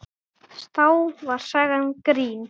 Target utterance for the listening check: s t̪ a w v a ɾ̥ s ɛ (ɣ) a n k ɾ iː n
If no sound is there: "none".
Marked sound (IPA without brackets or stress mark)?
ɣ